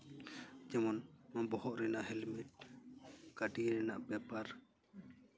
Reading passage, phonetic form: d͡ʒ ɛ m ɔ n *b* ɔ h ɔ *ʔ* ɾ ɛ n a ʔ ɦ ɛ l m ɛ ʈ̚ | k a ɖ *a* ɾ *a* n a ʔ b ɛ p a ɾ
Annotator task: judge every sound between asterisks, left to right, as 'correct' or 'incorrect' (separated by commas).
correct, correct, incorrect, incorrect